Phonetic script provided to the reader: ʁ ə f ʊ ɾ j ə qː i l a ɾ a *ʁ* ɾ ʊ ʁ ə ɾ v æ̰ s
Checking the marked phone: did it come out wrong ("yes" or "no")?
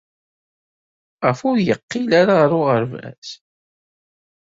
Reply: no